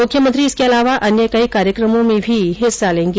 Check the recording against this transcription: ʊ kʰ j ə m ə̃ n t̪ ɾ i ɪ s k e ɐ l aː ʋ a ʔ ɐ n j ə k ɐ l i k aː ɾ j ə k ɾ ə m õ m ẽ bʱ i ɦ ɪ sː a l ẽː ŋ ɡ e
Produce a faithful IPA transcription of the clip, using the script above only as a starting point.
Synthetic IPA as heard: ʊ kʰ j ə m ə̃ n t̪ ɾ i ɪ s k e ɐ l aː ʋ a ʔ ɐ n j ə k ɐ i k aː ɾ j ə k ɾ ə m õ m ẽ bʱ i ɦ ɪ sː a l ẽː ŋ ɡ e